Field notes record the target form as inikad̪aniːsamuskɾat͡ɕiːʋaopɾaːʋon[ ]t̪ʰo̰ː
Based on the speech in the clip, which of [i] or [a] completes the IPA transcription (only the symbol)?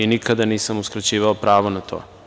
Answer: a